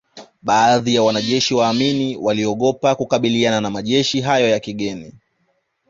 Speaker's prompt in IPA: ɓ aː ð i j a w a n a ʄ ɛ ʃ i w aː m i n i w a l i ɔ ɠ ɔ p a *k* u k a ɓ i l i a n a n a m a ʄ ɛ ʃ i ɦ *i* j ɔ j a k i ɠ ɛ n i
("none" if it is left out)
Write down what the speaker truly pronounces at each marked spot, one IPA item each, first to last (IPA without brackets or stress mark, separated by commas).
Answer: k, a